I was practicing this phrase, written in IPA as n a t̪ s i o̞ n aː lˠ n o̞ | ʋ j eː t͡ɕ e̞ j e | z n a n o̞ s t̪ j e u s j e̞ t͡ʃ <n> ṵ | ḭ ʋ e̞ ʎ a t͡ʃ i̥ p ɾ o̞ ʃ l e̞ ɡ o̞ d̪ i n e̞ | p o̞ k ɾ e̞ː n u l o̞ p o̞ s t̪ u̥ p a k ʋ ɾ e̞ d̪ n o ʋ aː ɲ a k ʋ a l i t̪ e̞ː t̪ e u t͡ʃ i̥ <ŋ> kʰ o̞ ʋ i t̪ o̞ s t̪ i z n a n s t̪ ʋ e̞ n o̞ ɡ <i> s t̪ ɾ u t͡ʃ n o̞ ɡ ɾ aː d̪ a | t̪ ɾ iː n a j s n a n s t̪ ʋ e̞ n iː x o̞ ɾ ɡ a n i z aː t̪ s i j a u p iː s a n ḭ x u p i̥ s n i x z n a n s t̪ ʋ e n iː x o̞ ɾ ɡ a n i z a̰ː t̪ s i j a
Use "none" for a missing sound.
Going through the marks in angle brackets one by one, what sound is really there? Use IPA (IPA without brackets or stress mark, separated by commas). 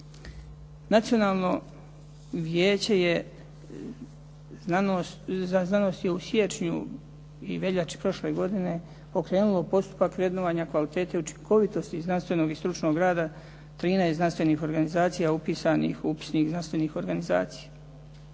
ɲ, ŋ, i